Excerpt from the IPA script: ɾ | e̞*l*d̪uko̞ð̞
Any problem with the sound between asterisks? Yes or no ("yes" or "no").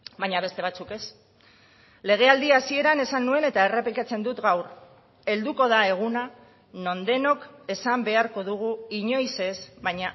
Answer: no